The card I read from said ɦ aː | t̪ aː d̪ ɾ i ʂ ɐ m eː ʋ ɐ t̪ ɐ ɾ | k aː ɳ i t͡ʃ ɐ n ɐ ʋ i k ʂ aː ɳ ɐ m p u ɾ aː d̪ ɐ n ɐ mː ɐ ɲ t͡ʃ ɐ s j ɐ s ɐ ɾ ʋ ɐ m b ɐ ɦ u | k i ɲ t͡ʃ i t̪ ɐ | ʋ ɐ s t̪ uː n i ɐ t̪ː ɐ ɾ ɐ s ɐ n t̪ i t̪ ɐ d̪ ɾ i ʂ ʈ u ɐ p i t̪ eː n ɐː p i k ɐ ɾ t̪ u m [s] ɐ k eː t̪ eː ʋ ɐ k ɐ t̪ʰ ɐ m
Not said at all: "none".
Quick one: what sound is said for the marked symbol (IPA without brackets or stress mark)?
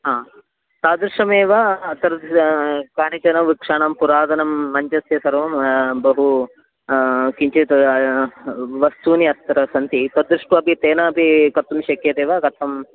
ʃ